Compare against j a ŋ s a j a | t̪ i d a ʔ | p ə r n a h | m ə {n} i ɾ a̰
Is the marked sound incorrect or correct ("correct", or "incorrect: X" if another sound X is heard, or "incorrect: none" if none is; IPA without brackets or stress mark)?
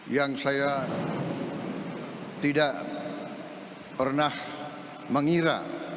incorrect: ŋ